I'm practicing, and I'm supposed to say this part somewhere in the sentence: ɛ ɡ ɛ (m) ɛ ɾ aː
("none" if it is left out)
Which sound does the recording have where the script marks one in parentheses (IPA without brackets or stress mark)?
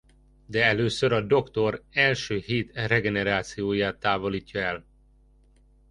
n